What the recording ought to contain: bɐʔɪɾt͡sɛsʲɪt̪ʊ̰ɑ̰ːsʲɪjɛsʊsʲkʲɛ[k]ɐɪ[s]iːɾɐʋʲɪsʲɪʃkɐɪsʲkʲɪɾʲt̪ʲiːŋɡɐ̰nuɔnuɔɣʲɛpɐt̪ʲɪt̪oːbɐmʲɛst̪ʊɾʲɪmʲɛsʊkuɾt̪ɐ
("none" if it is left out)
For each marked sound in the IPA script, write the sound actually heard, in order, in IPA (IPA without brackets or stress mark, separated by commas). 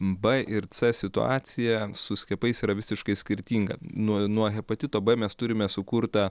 p, s